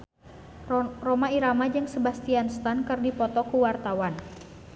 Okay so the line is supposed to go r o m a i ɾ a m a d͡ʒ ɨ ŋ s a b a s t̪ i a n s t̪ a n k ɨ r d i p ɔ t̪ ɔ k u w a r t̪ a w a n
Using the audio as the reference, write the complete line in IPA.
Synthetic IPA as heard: r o m a i ɾ a m a d͡ʒ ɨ ŋ s ə b a s t̪ i a n s t̪ a n k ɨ r d i p ɔ t̪ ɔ k u w a r t̪ a w a n